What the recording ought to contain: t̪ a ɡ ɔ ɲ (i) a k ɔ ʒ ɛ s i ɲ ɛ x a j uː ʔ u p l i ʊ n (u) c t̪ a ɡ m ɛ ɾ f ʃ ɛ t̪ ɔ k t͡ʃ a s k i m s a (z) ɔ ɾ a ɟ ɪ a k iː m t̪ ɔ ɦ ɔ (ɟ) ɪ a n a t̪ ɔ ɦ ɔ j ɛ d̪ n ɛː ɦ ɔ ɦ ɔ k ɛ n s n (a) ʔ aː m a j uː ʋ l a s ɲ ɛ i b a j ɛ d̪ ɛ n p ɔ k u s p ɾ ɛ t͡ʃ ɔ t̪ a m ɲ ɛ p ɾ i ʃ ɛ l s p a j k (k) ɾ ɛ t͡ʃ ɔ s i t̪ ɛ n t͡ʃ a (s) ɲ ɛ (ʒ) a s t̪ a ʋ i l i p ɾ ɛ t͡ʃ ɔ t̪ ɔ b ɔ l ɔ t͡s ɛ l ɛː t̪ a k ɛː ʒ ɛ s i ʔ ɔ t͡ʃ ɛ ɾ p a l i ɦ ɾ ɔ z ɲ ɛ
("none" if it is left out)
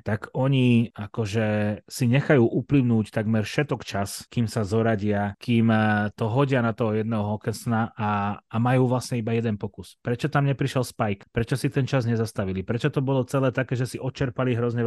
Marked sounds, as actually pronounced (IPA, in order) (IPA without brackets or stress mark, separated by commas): i, uː, z, ɟ, a, p, z, z